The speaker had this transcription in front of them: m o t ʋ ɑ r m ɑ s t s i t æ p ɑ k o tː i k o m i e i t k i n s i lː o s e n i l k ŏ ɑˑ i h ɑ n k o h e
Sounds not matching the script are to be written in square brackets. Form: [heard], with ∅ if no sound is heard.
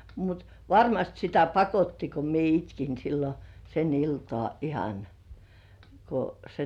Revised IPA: m [u] t ʋ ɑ r m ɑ s t s i t æ p ɑ k o tː i k o m i e i t k i n s i lː o s e n i l [t] ŏ ɑˑ i h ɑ n k o [s] e